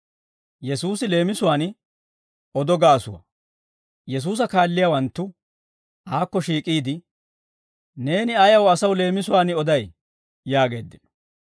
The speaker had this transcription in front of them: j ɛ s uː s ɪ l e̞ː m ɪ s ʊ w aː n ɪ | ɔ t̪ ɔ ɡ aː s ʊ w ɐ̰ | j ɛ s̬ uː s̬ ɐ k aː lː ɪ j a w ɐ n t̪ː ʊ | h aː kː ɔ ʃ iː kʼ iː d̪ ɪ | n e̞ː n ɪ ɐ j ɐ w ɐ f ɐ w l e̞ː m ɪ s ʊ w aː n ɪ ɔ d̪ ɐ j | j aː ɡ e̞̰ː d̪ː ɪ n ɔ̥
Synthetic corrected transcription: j ɛ s uː s ɪ l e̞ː m ɪ s ʊ w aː n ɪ | ɔ d̪ ɔ ɡ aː s ʊ w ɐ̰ | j ɛ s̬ uː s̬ ɐ k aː lː ɪ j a w ɐ n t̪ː ʊ | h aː kː ɔ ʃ iː kʼ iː d̪ ɪ | n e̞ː n ɪ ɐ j ɐ w ɐ s ɐ w l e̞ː m ɪ s ʊ w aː n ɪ ɔ d̪ ɐ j | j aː ɡ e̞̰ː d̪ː ɪ n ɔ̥